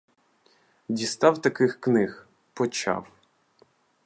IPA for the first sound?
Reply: dʲ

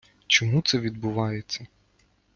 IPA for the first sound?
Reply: t͡ʃ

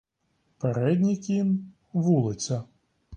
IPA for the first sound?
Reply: p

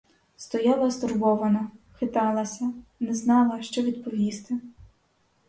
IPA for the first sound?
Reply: s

